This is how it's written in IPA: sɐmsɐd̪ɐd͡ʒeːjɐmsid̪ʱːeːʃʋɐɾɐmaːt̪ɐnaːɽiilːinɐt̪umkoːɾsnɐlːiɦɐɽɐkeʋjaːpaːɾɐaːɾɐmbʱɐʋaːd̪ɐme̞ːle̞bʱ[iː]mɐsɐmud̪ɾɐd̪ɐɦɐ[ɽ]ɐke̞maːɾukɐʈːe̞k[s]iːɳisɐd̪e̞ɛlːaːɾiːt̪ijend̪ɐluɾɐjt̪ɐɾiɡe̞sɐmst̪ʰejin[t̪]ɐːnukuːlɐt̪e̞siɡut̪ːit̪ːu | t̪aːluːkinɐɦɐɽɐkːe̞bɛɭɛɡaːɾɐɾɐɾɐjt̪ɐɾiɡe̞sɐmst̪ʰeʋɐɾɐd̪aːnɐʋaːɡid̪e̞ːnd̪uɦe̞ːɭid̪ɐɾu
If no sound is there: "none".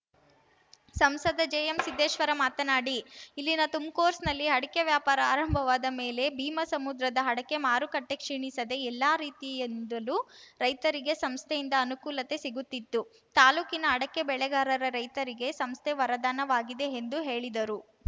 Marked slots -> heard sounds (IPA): iː, ɽ, ʂ, d̪

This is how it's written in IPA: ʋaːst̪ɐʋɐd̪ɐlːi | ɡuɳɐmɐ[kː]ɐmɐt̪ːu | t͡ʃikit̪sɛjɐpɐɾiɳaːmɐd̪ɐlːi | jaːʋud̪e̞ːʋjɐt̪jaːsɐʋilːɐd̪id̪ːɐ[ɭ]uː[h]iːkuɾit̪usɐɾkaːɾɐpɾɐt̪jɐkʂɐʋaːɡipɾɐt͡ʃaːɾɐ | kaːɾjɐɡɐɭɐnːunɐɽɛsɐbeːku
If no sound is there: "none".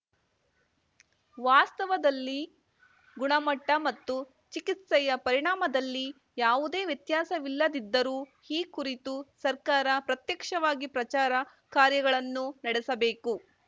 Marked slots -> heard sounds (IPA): ʈː, ɾ, h

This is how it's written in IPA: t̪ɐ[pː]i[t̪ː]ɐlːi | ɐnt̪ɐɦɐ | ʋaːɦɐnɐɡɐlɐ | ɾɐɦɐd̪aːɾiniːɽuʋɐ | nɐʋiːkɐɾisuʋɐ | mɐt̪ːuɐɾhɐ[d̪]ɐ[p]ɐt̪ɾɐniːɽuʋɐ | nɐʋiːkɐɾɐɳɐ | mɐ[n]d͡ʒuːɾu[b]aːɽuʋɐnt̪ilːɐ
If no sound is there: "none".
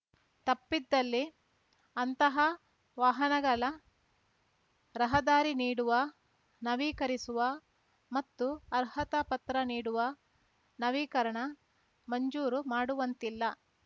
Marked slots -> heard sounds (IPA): pː, d̪ː, t̪, p, ɲ, m

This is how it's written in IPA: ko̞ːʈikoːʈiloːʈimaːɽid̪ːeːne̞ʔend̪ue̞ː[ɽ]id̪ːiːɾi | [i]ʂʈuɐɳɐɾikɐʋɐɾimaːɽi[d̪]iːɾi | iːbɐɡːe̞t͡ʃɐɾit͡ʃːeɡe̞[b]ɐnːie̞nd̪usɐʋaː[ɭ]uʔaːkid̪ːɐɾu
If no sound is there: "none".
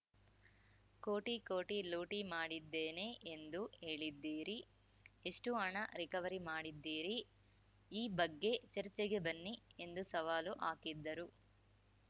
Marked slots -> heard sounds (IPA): ɭ, e, d̪ː, b, l

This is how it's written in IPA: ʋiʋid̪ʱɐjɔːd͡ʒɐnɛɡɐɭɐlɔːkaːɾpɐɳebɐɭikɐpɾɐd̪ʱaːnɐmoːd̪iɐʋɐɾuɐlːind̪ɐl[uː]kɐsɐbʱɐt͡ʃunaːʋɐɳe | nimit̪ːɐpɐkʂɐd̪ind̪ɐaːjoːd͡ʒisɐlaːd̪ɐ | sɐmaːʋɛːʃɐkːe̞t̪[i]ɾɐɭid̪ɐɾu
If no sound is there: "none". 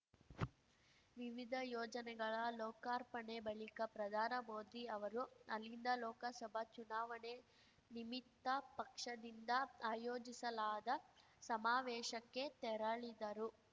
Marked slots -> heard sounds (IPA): ɔː, ɛ

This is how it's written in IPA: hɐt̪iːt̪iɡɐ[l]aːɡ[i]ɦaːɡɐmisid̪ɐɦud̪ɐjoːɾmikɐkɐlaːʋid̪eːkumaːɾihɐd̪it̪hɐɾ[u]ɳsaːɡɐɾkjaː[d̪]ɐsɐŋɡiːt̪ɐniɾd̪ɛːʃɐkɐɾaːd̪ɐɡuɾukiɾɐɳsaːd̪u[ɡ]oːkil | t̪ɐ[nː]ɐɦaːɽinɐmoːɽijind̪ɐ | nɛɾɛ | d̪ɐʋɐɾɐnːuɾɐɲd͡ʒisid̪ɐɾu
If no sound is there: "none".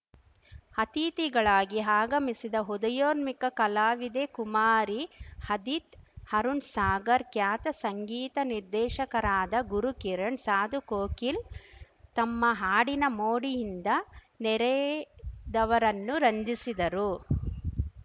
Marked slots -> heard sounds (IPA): ɭ, i, u, t̪, k, mː

